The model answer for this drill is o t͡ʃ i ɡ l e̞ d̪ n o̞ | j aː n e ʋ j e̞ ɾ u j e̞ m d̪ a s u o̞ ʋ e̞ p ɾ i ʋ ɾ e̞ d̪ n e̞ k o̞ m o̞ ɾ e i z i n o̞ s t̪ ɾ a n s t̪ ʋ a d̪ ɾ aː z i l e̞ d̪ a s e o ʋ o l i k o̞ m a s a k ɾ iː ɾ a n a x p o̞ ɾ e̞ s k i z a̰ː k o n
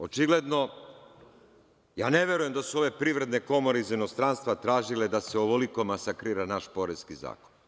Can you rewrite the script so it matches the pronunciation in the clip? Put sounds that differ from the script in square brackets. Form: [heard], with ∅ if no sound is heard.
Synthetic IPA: o t͡ʃ i ɡ l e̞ d̪ n o̞ | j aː n e ʋ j e̞ ɾ u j e̞ m d̪ a s u o̞ ʋ e̞ p ɾ i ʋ ɾ e̞ d̪ n e̞ k o̞ m o̞ ɾ e i z i n o̞ s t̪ ɾ a n s t̪ ʋ a [t̪] ɾ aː [ʒ] i l e̞ d̪ a s e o ʋ o l i k o̞ m a s a k ɾ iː ɾ a n a [ʃ] p o̞ ɾ e̞ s k i z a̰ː k o n